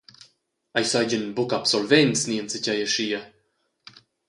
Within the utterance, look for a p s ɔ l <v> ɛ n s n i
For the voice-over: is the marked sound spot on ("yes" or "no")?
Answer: yes